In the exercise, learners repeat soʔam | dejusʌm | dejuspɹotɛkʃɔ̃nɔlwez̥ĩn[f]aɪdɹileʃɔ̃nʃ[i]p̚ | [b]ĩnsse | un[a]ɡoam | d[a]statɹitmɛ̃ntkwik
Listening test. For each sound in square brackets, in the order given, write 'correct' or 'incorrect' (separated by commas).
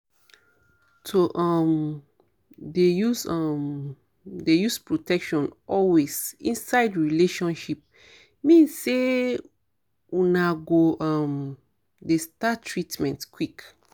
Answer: incorrect, correct, incorrect, correct, incorrect